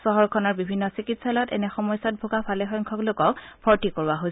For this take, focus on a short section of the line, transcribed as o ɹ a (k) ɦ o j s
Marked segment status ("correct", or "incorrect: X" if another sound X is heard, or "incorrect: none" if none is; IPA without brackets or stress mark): incorrect: none